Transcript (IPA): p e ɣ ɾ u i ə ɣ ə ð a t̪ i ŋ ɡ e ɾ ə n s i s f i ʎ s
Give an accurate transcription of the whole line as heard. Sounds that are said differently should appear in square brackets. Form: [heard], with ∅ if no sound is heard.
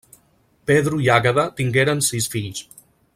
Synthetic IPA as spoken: p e [ð] ɾ u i [a] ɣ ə ð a t̪ i ŋ ɡ e ɾ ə n s i s f i ʎ s